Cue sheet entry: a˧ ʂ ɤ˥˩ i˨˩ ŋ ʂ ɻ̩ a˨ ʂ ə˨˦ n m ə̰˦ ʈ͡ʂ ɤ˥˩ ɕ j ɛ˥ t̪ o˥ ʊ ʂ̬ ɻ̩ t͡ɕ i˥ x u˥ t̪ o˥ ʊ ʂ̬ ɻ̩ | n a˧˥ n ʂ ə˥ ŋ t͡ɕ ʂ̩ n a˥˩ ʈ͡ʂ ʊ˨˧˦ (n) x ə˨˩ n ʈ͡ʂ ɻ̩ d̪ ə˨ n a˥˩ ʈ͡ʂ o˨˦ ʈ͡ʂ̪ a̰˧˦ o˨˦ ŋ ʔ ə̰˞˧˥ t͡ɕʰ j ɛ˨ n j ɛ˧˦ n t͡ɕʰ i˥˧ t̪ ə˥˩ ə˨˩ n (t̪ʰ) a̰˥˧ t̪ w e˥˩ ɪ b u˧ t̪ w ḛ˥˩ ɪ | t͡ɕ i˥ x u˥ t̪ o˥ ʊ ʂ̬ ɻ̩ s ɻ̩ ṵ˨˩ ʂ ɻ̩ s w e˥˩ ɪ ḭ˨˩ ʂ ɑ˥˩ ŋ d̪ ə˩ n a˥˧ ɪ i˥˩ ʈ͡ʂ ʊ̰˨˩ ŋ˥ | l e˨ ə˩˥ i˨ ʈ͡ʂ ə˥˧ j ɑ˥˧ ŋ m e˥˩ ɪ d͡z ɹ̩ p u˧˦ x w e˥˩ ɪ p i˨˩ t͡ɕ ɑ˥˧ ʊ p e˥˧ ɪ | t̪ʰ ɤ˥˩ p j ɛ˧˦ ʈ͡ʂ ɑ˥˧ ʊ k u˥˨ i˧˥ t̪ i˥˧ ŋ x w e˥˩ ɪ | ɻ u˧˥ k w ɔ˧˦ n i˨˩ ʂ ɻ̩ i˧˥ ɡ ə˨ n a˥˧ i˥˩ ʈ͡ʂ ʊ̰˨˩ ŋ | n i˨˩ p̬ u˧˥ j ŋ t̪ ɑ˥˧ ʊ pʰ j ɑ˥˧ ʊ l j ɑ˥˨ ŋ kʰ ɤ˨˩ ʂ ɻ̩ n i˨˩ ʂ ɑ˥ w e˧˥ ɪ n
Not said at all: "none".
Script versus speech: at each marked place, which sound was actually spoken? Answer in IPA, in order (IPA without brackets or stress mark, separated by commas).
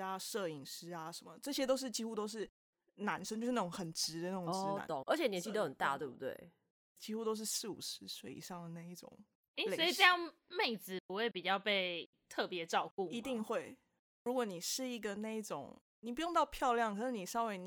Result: ŋ, t̪